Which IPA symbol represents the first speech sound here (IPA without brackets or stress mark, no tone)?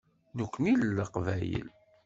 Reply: n